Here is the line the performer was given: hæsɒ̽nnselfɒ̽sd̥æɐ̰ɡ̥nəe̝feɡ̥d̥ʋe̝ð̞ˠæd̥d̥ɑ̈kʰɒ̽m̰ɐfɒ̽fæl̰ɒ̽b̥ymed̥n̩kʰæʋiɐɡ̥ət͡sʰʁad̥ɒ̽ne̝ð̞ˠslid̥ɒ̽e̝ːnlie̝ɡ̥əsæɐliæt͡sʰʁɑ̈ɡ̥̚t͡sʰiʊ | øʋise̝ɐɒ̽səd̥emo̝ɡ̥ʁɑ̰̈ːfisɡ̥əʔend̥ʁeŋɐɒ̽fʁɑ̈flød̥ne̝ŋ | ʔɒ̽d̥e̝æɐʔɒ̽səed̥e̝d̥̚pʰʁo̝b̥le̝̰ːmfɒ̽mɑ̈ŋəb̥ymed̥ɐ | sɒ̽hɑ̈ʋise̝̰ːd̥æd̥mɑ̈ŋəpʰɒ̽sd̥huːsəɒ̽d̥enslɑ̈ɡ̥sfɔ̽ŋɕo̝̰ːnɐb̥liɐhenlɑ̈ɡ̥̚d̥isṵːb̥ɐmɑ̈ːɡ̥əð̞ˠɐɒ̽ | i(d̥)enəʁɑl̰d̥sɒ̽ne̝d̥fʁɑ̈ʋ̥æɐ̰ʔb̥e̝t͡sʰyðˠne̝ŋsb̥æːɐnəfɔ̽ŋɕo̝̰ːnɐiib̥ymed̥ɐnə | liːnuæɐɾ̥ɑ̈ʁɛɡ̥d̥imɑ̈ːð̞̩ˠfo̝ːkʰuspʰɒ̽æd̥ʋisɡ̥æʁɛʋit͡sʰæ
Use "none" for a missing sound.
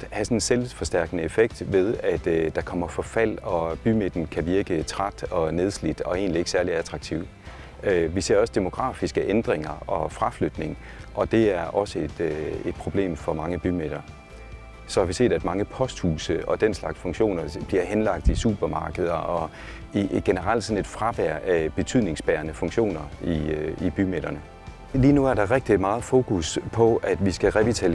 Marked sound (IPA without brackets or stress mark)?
ɡ̥